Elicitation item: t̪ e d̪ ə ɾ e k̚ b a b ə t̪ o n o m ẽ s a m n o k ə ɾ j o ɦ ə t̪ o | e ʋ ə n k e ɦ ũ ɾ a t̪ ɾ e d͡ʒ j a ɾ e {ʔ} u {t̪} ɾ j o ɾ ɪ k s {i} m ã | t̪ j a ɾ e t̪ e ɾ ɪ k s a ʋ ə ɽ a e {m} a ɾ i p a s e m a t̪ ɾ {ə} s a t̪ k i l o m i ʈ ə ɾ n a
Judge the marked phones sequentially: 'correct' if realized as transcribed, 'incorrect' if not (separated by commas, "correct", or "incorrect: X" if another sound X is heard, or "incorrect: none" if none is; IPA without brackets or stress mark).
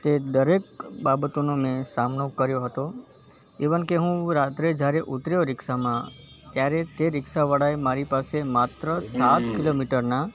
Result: correct, correct, incorrect: a, correct, correct